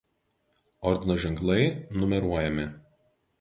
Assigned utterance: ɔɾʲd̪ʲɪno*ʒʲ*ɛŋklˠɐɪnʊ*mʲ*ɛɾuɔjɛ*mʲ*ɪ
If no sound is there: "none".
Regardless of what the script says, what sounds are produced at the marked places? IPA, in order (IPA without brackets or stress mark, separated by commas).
ʒʲ, mʲ, mʲ